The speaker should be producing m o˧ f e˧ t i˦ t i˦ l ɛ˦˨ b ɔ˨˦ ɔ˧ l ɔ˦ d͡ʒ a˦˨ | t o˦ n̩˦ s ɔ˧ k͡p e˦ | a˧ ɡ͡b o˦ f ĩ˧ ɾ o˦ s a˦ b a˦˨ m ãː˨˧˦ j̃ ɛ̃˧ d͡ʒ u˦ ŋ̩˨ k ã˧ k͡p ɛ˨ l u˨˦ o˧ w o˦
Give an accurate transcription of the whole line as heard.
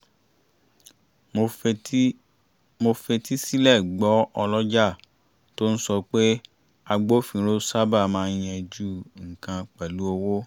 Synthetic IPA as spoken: m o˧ f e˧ t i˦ s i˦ l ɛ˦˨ ɡ͡b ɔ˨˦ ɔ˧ l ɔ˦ d͡ʒ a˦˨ | t o˦ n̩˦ s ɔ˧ k͡p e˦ | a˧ ɡ͡b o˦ f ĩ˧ ɾ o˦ s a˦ b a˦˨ m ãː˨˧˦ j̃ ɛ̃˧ d͡ʒ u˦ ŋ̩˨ k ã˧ k͡p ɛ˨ l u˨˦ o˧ w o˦